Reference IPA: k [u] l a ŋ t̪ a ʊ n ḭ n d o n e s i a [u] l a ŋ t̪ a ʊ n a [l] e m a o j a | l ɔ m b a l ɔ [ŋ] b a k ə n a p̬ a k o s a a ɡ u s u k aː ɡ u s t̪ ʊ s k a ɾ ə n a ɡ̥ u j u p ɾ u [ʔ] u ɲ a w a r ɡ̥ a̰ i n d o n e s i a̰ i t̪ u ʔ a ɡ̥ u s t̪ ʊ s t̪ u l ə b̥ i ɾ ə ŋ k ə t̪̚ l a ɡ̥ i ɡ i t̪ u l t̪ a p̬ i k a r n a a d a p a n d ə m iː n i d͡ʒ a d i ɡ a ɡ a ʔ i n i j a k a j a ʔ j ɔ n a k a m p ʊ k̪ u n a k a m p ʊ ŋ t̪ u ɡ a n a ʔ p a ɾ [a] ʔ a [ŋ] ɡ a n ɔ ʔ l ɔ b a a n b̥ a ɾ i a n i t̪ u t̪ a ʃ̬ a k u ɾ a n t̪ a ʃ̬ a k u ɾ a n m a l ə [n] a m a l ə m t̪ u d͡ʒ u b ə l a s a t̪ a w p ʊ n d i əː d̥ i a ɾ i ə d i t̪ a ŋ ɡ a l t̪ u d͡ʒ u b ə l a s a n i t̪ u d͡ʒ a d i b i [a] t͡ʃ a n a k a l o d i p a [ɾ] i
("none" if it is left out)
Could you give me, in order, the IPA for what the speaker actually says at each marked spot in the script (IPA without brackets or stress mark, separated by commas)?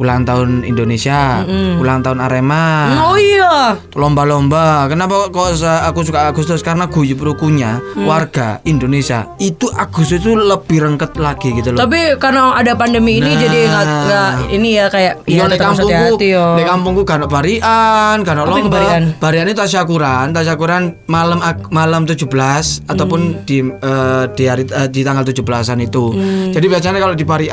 u, u, ɾ, m, k, i, n, m, a, ɾ